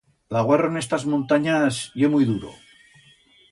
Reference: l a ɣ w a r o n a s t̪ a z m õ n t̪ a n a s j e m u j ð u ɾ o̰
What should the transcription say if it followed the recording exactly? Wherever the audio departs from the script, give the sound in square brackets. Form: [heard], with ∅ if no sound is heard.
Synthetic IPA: l a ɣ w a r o n [e] s t̪ a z m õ n t̪ a [ɲ] a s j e m u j ð u ɾ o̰